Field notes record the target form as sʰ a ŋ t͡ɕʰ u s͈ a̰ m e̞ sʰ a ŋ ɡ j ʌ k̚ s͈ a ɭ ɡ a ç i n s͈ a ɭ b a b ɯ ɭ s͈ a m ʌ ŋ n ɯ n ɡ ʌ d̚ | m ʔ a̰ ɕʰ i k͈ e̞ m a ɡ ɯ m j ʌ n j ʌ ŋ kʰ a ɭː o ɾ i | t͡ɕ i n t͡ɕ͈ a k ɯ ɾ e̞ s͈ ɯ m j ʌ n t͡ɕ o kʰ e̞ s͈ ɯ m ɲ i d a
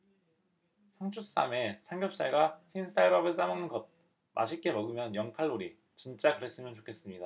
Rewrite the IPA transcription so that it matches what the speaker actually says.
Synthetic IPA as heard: sʰ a ŋ t͡ɕʰ u s͈ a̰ m e̞ sʰ a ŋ ɡ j ʌ p̚ s͈ a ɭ ɡ a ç i n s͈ a ɭ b a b ɯ ɭ s͈ a m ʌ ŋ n ɯ n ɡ ʌ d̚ | m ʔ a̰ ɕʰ i k͈ e̞ m ʌ ɡ ɯ m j ʌ n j ʌ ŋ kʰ a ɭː o ɾ i | t͡ɕ i n t͡ɕ͈ a k ɯ ɾ e̞ s͈ ɯ m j ʌ n t͡ɕ o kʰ e̞ s͈ ɯ m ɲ i d a